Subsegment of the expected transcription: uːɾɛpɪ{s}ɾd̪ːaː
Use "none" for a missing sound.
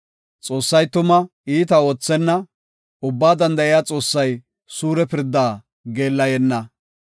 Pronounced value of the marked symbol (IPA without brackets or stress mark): none